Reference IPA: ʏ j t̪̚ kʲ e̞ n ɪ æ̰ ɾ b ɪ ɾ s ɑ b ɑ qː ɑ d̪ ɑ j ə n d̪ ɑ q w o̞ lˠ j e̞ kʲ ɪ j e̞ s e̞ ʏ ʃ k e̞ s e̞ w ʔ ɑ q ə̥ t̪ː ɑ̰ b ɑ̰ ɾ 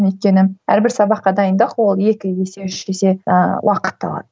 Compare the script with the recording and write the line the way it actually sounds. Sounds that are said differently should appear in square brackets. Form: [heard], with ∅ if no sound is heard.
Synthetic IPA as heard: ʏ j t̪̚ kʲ e̞ n ɪ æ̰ ɾ b ɪ ɾ s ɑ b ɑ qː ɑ d̪ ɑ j ə n d̪ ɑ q w o̞ lˠ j e̞ kʲ ɪ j e̞ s e̞ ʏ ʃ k e̞ s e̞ w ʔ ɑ q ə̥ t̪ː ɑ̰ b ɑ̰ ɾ